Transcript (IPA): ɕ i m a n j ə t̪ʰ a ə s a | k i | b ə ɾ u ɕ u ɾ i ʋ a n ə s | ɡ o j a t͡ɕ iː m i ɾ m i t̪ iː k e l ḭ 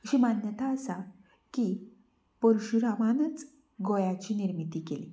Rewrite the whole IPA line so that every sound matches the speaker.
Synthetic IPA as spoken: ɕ i m a n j ə t̪ a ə s a | k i | p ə ɾ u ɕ u ɾ a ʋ a n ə t͡s | ɡ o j a t͡ɕ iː n i ɾ m i t̪ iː k e l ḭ